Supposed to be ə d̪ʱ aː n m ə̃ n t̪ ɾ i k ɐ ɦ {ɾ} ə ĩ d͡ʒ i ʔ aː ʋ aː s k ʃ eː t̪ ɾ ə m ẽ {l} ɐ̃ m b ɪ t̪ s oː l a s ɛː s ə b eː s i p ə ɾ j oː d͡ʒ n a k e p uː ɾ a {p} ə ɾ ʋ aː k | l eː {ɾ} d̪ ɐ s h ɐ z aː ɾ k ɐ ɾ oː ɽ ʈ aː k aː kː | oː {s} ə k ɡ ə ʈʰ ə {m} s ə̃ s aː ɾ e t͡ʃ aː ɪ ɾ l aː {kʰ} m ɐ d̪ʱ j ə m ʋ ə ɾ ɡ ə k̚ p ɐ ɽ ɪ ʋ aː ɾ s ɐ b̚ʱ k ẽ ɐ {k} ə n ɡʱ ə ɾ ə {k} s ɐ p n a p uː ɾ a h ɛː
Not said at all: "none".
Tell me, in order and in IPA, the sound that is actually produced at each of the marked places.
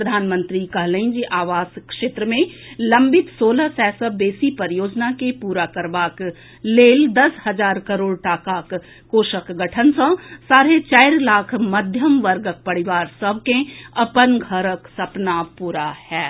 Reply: l, l, k, l, ʃ, n, kʰ, p, k

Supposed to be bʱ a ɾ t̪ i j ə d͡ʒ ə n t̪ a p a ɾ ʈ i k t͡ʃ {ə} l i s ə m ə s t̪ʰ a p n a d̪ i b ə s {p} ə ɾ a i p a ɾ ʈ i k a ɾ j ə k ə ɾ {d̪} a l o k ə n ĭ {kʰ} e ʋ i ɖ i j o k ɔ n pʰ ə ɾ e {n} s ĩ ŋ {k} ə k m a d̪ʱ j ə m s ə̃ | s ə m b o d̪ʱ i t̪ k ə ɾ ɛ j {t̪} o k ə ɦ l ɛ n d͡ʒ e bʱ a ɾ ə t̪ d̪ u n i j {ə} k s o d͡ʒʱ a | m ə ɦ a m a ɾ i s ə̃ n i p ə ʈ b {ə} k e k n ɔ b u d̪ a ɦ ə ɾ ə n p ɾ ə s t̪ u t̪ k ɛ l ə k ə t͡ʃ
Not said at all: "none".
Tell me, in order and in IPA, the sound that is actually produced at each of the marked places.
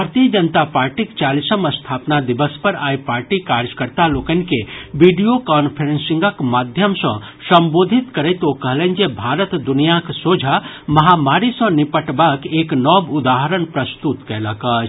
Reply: a, p, t̪, k, n, ɡ, t̪, a, a

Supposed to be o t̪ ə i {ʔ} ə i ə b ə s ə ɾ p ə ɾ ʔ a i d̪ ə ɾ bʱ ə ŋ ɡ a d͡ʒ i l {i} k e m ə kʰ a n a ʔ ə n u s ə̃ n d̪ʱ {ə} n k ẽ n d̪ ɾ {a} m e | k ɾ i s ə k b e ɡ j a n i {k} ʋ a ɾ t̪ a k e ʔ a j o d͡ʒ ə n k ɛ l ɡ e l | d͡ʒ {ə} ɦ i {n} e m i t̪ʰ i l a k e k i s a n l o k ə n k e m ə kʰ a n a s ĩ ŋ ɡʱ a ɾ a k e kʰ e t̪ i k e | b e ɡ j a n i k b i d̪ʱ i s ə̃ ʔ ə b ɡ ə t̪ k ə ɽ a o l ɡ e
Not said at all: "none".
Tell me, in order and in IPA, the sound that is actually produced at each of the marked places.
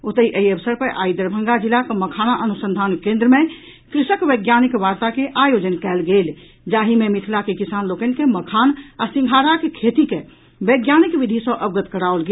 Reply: ʔ, a, a, ə, k, a, m

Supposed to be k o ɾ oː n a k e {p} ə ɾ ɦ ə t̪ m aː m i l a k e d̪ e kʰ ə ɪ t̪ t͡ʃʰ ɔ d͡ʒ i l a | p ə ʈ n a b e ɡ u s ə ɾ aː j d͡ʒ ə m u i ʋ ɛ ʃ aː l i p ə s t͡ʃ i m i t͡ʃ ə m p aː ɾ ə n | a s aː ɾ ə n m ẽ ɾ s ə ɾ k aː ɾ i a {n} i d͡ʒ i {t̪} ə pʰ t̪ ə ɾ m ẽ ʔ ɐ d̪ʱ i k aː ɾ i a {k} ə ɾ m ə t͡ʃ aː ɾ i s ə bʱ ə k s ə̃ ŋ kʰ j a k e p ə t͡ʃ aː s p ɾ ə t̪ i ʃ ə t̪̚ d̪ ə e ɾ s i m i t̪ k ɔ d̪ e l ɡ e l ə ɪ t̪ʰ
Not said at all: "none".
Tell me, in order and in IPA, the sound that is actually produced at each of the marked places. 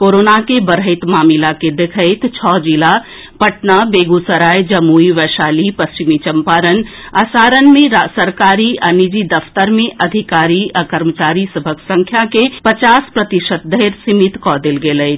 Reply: b, n, d̪, k

